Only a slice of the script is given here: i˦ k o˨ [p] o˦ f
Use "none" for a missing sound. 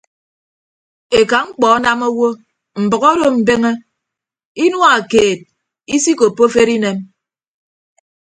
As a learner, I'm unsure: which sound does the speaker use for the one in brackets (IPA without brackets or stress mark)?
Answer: p